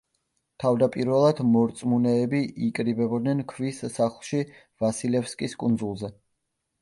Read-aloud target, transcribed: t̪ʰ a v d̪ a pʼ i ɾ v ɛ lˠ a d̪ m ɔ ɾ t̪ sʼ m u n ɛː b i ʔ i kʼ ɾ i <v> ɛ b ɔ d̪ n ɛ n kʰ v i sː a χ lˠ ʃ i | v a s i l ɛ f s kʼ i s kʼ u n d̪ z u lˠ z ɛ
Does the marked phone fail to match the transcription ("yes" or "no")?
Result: yes